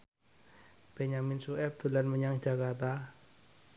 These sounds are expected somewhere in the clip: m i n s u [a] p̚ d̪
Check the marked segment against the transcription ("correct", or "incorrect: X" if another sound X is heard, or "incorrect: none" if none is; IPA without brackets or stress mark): incorrect: ɛ